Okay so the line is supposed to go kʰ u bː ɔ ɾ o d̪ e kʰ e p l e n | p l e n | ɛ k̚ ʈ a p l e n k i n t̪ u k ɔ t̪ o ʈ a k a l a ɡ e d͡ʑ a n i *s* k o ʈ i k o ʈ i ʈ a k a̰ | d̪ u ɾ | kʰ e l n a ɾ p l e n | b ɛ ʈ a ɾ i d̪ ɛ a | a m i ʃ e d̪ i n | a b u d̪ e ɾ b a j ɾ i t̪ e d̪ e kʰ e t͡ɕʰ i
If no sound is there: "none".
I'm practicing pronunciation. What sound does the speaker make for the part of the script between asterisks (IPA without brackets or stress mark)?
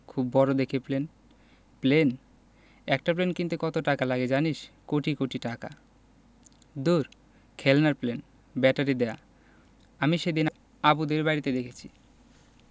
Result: ʃ